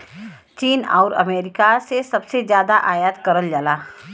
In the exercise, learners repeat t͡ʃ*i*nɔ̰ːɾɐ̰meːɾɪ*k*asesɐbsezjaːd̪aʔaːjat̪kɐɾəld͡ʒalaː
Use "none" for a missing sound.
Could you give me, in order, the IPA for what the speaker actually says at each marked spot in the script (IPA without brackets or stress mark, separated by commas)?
iː, k